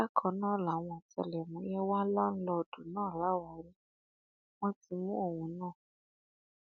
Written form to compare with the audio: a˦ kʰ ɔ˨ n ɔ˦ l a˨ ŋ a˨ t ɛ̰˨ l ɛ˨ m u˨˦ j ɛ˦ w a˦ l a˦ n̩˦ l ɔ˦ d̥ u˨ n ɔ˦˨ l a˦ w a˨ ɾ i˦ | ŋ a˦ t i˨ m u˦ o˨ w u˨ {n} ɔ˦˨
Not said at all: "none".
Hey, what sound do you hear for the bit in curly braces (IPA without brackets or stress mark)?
n